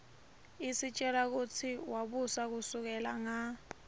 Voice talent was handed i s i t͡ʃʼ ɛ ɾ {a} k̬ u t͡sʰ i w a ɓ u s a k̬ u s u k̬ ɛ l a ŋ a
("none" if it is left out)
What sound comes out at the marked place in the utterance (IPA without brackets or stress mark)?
a